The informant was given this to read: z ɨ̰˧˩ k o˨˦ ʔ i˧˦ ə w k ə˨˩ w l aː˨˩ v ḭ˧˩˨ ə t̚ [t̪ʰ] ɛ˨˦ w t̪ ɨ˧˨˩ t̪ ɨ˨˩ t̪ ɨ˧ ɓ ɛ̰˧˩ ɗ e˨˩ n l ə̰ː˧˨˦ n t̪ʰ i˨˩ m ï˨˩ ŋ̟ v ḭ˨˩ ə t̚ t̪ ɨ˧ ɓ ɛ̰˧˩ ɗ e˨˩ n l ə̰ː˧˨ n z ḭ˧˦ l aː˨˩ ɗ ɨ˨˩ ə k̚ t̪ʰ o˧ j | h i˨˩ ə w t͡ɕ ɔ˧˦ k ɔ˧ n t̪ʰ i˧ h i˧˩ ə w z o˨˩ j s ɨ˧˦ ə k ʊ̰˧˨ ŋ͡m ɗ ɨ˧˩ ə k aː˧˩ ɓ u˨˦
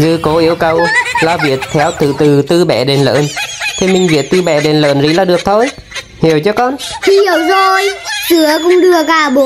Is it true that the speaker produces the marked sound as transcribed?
yes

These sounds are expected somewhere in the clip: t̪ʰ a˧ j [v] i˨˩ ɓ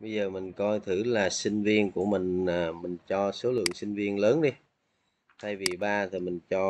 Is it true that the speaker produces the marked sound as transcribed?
yes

